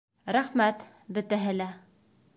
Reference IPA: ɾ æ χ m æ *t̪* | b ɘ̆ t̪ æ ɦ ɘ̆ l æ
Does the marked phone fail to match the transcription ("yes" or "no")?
no